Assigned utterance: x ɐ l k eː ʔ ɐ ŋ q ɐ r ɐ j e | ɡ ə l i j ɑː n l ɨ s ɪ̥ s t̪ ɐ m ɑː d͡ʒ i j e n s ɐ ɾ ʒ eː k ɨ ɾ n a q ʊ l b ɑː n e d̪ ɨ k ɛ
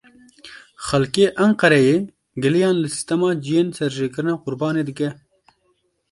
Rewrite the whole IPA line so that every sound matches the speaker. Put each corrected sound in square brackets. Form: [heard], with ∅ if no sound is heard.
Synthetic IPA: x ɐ l k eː ʔ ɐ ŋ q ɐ [ɾ] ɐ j e | ɡ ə l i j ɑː n l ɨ s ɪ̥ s t̪ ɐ m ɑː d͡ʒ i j e n s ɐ ɾ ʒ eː k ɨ ɾ n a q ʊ [ɾ] b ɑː n e d̪ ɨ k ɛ

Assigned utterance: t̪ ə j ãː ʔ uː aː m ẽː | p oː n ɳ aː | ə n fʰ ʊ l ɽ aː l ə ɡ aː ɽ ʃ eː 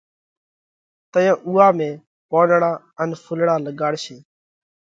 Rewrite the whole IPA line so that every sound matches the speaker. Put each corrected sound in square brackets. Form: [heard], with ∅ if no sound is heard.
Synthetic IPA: t̪ ə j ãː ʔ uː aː m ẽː | p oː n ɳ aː | ə n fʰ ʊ l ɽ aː l ə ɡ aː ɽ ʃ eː

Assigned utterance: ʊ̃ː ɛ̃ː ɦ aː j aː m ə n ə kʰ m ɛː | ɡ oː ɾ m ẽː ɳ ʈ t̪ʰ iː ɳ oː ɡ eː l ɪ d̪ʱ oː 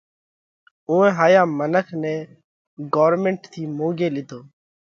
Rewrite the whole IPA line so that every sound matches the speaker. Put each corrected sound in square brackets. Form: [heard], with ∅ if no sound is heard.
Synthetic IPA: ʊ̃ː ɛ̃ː ɦ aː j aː m ə n ə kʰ [n] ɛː | ɡ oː ɾ m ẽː ɳ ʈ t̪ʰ iː [m] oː ɡ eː l ɪ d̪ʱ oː

